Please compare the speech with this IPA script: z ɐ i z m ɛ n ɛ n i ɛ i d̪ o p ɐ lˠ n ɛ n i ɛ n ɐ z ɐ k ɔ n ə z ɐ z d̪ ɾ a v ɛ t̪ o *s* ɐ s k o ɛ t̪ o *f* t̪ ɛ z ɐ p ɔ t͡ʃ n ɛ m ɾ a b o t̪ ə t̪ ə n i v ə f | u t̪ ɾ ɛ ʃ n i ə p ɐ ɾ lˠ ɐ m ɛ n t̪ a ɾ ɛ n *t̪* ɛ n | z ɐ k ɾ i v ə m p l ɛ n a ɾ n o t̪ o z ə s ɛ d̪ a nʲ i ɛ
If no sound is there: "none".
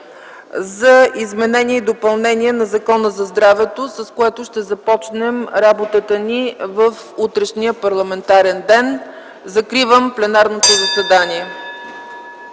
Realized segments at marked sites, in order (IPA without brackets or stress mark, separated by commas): s, ʃ, d̪